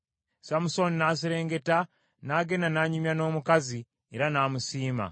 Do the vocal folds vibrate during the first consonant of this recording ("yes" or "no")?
no